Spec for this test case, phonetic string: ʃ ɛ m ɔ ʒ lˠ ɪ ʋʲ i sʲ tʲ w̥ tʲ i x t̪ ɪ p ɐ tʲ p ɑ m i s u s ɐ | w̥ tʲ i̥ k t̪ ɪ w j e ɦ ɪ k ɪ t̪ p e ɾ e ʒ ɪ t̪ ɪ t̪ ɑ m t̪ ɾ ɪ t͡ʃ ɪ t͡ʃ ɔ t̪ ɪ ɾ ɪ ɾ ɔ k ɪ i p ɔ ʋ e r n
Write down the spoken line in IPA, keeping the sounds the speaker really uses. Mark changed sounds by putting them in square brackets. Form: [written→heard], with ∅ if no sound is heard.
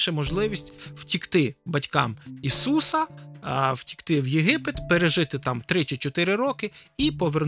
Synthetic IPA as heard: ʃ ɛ m ɔ ʒ lˠ ɪ ʋʲ i sʲ tʲ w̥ tʲ i [x→k] t̪ ɪ [p→b] ɐ tʲ [p→k] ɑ m i s u s ɐ | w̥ tʲ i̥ k t̪ ɪ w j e ɦ ɪ [k→p] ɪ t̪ p e ɾ e ʒ ɪ t̪ ɪ t̪ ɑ m t̪ ɾ ɪ t͡ʃ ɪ t͡ʃ ɔ t̪ ɪ ɾ ɪ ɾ ɔ k ɪ i p ɔ ʋ e r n